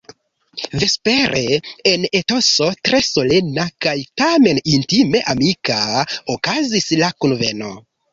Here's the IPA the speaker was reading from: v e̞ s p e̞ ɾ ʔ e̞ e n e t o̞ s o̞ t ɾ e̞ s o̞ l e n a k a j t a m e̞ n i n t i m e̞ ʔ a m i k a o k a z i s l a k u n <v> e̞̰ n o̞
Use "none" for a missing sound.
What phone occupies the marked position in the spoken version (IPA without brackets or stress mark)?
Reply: v